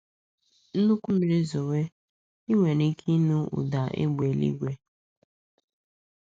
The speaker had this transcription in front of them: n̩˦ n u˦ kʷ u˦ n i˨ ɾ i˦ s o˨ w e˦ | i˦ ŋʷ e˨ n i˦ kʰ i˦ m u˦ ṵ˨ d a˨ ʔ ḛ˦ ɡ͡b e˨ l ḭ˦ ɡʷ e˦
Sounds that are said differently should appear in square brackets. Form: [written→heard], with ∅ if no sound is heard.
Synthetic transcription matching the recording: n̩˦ n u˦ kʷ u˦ [n→m] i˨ ɾ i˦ [s→z] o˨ w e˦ | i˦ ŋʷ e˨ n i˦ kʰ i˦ [m→n] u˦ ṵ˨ d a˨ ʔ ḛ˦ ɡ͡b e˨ l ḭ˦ ɡʷ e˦